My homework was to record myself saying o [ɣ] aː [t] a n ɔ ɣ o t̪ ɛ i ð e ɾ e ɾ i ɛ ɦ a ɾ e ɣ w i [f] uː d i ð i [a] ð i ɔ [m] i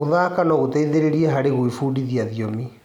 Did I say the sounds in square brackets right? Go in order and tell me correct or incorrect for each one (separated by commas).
incorrect, incorrect, correct, correct, correct